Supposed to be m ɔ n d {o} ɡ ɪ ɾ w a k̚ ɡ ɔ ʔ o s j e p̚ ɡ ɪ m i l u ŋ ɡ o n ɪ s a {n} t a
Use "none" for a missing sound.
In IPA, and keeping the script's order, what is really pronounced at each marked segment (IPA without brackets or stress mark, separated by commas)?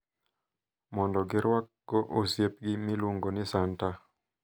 ɔ, n